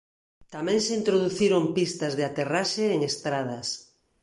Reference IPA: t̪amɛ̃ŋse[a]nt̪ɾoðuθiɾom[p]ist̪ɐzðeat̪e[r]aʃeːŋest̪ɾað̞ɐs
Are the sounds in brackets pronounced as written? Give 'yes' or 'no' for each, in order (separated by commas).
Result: no, yes, yes